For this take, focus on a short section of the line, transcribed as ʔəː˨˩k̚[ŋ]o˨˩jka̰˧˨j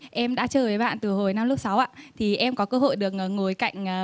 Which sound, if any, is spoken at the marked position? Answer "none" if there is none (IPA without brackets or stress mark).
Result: ŋ